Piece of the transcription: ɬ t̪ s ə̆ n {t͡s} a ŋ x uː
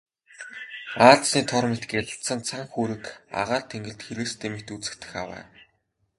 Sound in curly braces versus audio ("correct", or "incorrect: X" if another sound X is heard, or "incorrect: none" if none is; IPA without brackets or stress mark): incorrect: t͡sʰ